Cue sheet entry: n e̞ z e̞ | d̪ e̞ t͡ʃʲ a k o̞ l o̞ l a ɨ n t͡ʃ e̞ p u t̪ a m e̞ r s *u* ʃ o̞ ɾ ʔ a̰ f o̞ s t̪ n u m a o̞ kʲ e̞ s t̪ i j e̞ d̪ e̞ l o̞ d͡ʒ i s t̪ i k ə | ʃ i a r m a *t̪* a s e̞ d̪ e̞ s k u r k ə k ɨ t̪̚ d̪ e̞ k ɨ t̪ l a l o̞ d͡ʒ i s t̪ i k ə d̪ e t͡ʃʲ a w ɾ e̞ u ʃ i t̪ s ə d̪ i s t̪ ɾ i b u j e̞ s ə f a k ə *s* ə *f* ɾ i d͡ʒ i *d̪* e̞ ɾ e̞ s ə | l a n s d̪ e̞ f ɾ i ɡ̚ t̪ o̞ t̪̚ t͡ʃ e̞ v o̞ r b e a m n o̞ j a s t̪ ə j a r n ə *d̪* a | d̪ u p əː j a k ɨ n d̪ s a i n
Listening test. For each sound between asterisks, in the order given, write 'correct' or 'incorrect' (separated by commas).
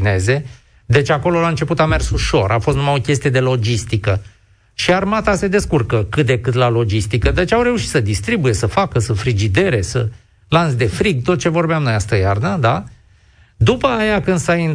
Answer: correct, correct, correct, correct, correct, correct